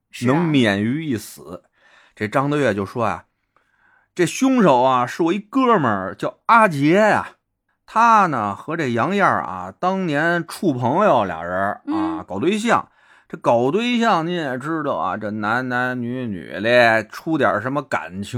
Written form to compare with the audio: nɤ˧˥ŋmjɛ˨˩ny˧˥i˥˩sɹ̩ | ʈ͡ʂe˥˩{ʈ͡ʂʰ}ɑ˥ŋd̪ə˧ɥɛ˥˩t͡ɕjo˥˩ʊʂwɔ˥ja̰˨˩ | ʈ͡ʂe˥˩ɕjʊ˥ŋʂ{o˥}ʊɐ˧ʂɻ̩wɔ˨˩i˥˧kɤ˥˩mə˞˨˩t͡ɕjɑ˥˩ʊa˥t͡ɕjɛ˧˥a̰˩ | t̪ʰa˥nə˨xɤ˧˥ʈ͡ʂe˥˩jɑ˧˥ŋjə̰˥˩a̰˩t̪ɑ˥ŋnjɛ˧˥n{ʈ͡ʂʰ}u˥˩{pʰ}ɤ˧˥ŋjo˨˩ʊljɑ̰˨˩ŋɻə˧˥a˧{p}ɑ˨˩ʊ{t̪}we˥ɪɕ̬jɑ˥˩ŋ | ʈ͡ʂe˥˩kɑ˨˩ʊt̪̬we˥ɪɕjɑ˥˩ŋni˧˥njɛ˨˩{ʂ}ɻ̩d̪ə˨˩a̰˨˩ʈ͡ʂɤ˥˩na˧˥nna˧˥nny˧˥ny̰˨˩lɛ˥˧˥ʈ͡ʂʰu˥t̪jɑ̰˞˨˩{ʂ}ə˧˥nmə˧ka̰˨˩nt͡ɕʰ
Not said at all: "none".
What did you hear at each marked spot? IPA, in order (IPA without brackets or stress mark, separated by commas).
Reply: ʈ͡ʂ, o˨˩, ʈ͡ʂʰ, pʰ, k, t̪, ʈ͡ʂ, ʂ